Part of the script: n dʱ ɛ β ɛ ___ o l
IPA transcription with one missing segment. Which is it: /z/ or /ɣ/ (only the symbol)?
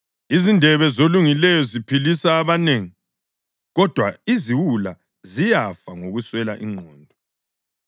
z